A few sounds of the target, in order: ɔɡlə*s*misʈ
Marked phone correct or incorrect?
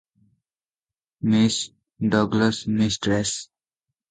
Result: correct